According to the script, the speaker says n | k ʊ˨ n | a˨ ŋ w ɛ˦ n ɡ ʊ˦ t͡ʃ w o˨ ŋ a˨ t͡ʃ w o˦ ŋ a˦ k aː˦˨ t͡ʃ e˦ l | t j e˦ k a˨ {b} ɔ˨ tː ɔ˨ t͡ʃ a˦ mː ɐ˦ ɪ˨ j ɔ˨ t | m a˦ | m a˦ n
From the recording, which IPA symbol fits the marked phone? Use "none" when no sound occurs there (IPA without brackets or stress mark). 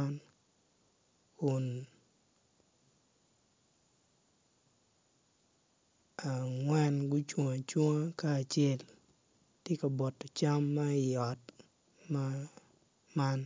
b